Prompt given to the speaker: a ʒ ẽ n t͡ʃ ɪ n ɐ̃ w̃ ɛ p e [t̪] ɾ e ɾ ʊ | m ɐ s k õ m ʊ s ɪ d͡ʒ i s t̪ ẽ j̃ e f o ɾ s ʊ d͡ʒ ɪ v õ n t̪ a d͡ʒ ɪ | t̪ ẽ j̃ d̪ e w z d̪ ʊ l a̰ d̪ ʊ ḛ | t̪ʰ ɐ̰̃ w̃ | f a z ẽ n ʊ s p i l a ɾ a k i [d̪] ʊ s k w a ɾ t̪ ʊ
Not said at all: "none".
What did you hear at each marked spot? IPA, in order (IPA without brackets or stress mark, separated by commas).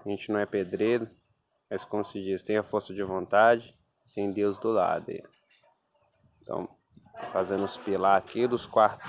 d̪, d̪